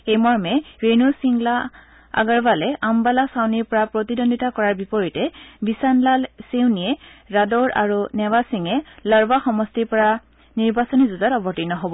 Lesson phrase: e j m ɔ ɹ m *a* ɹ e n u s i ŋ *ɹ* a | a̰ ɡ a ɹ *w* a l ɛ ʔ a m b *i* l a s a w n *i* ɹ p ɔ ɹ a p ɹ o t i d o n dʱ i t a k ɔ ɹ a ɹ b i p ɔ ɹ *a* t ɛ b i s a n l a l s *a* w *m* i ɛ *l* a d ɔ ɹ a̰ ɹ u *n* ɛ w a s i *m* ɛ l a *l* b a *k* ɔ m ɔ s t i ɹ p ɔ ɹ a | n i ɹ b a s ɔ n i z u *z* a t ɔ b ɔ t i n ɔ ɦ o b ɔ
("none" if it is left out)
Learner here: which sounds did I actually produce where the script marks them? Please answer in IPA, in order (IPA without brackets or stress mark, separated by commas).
ɛ, l, b, a, i, i, e, n, ɹ, n, ŋ, ɹ, x, z